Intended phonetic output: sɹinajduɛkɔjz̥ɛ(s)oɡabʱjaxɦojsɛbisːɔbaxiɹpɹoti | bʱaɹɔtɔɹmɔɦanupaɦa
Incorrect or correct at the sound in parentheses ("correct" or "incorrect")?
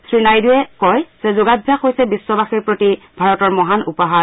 incorrect